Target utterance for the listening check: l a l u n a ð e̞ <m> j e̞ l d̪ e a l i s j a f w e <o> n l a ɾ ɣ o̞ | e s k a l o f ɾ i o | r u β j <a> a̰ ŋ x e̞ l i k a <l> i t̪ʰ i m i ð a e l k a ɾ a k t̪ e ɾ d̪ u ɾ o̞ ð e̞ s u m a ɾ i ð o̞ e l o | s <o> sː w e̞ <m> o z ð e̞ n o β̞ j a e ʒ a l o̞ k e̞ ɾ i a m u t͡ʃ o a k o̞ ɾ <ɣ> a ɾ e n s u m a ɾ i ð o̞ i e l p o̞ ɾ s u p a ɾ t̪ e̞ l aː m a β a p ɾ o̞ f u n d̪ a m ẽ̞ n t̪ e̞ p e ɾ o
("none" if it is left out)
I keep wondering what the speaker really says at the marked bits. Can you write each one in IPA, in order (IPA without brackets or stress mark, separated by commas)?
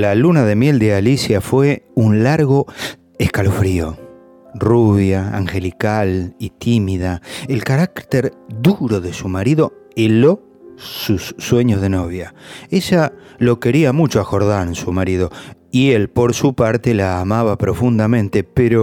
m, u, a, l, u, ɲ, ð